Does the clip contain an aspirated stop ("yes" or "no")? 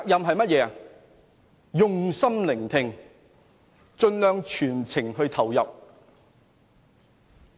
yes